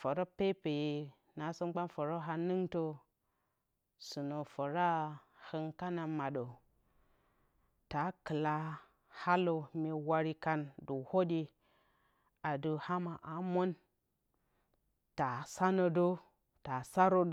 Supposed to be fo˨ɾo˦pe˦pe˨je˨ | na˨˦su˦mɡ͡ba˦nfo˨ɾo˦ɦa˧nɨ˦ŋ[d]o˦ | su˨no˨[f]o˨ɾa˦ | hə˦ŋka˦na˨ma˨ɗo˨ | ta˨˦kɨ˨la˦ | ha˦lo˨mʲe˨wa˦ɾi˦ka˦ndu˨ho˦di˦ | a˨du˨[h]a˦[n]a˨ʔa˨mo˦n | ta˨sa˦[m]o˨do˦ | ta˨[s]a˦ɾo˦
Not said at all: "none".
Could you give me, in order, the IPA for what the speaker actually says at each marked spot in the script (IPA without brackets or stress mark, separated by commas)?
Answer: t, f, h, m, n, s